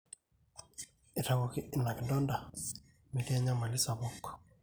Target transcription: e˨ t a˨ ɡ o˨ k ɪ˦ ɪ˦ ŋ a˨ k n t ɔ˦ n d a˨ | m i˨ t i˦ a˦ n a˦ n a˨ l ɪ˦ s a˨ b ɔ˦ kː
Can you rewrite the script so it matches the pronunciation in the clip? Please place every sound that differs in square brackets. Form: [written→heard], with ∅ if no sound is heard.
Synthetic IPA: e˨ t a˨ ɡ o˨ k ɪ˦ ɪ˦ [ŋ→n] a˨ k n [t→d] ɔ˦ n d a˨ | m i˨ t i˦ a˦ [n→ɲ] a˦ [n→m] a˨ l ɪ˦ s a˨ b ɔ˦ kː